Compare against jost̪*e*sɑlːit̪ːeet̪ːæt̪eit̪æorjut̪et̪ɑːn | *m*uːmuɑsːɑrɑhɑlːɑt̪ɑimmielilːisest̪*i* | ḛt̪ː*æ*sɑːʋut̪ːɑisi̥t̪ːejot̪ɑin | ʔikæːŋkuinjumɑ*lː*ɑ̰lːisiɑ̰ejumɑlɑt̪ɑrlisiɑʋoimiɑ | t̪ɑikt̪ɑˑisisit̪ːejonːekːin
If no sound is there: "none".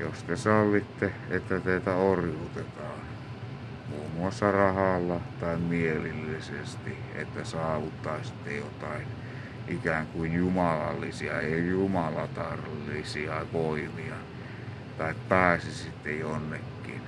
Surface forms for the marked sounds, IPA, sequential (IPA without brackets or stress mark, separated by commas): e, m, i, æ, l